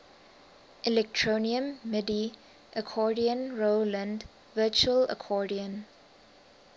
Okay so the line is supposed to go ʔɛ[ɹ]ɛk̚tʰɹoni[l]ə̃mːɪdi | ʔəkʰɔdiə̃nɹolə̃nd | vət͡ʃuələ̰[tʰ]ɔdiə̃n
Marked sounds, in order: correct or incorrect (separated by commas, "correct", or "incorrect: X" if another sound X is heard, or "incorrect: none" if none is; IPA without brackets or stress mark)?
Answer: incorrect: l, incorrect: none, incorrect: kʰ